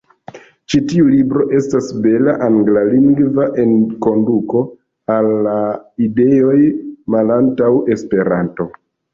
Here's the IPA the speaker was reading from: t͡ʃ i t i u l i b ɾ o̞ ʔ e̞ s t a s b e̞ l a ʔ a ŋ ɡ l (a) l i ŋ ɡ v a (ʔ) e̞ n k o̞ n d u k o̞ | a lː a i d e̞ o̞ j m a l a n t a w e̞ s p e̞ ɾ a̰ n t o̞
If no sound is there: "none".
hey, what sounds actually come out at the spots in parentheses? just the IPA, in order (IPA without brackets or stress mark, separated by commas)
a, ʔ